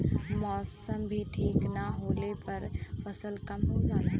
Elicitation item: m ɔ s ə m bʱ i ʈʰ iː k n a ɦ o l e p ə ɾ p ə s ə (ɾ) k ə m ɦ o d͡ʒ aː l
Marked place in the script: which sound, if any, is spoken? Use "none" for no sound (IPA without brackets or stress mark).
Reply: l